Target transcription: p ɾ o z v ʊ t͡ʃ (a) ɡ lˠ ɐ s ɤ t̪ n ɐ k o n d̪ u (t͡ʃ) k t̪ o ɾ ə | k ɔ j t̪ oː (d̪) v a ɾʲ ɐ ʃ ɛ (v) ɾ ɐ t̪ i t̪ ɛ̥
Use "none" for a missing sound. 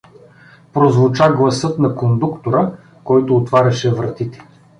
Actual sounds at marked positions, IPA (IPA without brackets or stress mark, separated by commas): a, none, t̪, v